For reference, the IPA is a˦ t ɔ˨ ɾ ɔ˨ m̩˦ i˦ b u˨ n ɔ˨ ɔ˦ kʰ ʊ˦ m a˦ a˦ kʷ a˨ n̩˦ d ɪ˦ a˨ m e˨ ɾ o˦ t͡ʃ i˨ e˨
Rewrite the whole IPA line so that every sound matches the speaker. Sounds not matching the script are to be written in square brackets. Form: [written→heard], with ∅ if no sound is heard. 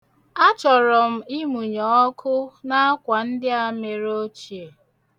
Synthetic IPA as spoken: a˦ [t→t͡ʃ] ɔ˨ ɾ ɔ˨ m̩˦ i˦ [b→m] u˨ [n→ɲ] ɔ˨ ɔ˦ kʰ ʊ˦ [m→n] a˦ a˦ kʷ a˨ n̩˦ d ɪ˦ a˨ m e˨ ɾ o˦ t͡ʃ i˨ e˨